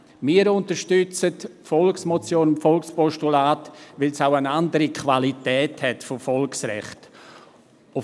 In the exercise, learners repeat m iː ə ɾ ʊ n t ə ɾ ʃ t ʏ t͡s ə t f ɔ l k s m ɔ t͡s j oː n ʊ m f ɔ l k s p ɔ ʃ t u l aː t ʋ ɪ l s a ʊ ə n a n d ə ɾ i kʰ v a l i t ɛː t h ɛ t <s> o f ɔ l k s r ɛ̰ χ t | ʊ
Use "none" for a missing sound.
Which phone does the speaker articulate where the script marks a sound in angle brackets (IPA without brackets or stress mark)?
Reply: f